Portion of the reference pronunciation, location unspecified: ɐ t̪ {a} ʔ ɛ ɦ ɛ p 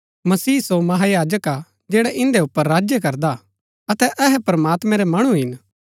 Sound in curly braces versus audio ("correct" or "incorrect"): incorrect